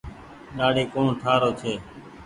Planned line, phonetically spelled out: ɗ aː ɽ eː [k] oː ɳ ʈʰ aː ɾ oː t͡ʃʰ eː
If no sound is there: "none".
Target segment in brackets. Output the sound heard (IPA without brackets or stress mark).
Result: k